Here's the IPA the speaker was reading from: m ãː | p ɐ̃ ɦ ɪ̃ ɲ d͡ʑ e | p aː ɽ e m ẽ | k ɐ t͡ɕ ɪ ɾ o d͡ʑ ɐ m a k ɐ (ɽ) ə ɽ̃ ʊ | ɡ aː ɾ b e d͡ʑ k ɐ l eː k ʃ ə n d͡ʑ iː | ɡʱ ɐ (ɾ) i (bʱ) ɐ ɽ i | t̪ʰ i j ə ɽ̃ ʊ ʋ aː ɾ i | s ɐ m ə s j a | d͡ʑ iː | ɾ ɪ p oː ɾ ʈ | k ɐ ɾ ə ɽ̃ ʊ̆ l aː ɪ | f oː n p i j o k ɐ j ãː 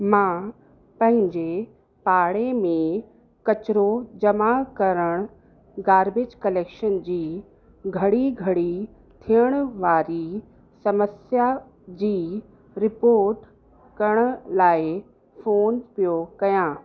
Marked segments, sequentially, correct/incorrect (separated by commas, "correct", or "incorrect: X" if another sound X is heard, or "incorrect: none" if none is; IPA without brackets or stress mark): incorrect: ɾ, incorrect: ɽ, incorrect: ɡʱ